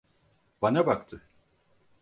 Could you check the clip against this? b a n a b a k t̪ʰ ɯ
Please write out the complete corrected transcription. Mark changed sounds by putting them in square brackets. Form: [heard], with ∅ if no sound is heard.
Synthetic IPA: b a n a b a k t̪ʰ ɯ